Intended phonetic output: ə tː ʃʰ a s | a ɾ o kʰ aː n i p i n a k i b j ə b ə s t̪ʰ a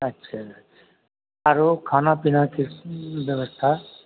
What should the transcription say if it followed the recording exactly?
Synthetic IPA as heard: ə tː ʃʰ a | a ɾ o kʰ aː n a p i n a k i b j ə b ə s t̪ʰ a